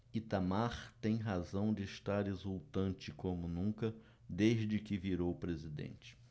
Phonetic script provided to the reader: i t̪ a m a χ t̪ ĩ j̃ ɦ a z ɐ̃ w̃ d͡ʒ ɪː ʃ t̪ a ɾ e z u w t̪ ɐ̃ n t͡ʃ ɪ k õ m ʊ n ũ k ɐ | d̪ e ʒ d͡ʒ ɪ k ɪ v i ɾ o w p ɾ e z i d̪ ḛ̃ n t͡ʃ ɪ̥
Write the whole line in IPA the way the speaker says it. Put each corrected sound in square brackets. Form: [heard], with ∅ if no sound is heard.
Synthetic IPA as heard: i t̪ a m a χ t̪ [ẽ] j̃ ɦ a z ɐ̃ w̃ d͡ʒ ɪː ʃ t̪ a ɾ e z u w t̪ ɐ̃ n t͡ʃ ɪ k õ m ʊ n ũ k ɐ | d̪ e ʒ d͡ʒ ɪ k ɪ v i ɾ o w p ɾ e z i d̪ ḛ̃ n t͡ʃ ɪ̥

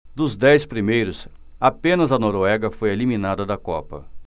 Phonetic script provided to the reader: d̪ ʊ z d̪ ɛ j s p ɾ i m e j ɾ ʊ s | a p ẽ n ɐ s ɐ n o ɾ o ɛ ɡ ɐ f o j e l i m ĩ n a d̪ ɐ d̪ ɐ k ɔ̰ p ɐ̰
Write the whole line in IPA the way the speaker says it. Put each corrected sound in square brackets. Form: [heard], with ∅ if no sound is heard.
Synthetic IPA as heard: d̪ ʊ z d̪ ɛ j s p ɾ i m e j ɾ ʊ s | a p ẽ n ɐ [z] ɐ n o ɾ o ɛ ɡ ɐ f o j e l i m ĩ n a d̪ ɐ d̪ ɐ k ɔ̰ p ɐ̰

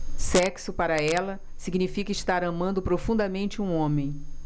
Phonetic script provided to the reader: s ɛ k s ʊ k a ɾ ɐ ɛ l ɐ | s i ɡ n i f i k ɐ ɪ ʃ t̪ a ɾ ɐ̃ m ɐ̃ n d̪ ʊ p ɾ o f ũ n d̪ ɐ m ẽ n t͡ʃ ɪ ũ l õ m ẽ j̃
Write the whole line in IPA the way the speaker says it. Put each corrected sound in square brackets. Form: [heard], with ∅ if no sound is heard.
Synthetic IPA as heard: s ɛ k s ʊ [p] a ɾ ɐ ɛ l ɐ | s i ɡ n i f i k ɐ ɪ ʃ t̪ a ɾ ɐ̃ m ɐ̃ n d̪ ʊ p ɾ o f ũ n d̪ ɐ m ẽ n t͡ʃ ɪ ũ [∅] õ m ẽ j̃

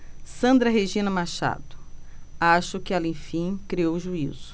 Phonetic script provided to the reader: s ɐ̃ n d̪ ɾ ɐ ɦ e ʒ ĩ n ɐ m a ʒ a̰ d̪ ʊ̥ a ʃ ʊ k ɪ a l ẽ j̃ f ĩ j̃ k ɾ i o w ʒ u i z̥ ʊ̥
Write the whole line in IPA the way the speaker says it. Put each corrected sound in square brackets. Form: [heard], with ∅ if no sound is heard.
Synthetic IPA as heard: s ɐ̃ n d̪ ɾ ɐ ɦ e ʒ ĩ n ɐ m a [ʃ] a̰ d̪ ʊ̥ a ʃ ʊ k ɪ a l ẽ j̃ f ĩ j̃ k ɾ i o w ʒ u i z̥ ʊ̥

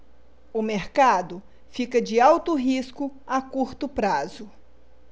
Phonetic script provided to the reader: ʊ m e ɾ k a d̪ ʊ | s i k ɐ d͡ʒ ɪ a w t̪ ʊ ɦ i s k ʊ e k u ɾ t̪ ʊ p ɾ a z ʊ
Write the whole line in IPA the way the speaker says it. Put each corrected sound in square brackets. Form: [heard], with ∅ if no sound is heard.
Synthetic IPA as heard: ʊ m e ɾ k a d̪ ʊ | [f] i k ɐ d͡ʒ ɪ a w t̪ ʊ ɦ i s k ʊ [a] k u ɾ t̪ ʊ p ɾ a z ʊ

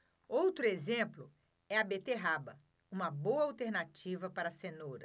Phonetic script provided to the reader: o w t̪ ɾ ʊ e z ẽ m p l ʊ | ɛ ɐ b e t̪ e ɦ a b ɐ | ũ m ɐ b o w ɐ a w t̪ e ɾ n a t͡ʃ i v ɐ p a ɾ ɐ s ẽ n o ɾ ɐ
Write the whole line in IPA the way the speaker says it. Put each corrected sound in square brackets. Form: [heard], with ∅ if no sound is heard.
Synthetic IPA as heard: o w t̪ ɾ ʊ e z ẽ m p l ʊ | ɛ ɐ b e t̪ e ɦ a b ɐ | ũ m ɐ b o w ɐ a w t̪ e ɾ n a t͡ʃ i v ɐ p a ɾ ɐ s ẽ n o ɾ ɐ

